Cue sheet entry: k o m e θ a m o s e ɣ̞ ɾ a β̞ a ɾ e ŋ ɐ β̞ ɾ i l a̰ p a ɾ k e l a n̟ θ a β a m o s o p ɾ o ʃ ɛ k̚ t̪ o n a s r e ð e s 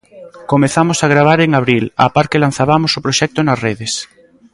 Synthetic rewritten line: k o m e θ a m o s a ɣ̞ ɾ a β̞ a ɾ e ŋ a β̞ ɾ i l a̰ p a ɾ k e l a n̟ θ a β a m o s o p ɾ o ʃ ɛ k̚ t̪ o n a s r e ð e s